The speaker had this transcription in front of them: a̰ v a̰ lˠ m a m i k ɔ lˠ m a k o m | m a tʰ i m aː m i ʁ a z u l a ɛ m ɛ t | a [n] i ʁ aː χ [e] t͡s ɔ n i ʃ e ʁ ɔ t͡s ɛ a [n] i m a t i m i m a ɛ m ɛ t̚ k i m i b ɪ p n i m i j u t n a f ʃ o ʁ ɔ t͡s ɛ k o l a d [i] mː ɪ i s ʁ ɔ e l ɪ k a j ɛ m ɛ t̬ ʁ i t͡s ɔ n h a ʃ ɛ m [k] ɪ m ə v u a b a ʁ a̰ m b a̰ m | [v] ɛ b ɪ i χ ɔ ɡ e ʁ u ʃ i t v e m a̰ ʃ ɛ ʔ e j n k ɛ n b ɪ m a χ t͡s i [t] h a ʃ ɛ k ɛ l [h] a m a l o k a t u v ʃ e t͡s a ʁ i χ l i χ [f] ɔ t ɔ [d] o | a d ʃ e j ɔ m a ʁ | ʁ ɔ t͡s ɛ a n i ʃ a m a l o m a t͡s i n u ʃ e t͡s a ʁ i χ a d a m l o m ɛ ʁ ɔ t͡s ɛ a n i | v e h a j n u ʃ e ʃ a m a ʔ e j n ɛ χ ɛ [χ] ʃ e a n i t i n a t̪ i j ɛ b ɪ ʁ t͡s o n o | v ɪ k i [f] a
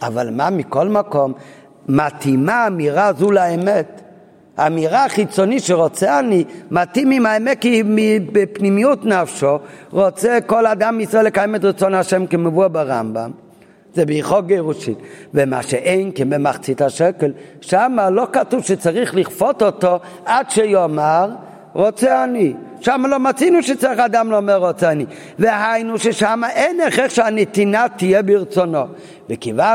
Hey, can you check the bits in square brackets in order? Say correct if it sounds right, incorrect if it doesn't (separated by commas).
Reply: incorrect, incorrect, correct, incorrect, correct, incorrect, correct, incorrect, correct, incorrect, correct, incorrect